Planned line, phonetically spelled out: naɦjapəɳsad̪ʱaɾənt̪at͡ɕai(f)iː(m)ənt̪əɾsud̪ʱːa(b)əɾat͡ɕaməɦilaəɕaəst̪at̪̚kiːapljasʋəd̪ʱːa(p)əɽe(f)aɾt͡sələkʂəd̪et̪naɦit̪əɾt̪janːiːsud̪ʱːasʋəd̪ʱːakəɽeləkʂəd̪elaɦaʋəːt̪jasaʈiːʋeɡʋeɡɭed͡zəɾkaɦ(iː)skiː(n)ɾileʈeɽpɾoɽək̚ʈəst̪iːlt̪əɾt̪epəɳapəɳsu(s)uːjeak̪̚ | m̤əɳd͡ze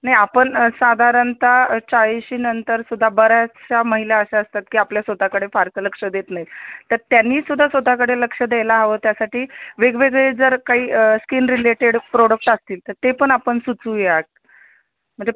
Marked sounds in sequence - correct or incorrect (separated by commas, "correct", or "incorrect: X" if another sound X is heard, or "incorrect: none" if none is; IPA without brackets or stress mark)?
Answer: incorrect: ɕ, incorrect: n, correct, incorrect: k, correct, correct, correct, incorrect: t͡s